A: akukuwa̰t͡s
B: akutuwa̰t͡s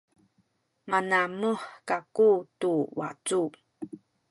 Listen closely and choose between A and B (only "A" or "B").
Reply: B